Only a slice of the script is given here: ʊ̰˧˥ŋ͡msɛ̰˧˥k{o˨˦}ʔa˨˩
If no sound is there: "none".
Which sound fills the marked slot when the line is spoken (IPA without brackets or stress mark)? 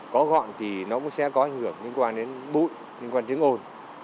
ɔ˨˦